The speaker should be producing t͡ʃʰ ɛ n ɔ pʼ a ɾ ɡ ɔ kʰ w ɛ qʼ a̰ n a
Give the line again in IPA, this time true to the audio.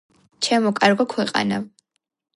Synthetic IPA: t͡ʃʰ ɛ m ɔ kʼ a ɾ ɡ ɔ kʰ w ɛ qʼ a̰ n a